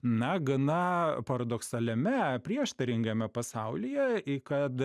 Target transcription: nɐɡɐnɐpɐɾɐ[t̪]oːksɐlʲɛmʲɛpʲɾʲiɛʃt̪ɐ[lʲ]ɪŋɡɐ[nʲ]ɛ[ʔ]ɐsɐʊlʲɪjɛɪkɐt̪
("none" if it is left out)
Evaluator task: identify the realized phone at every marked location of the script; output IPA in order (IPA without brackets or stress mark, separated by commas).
d̪, ɾʲ, mʲ, p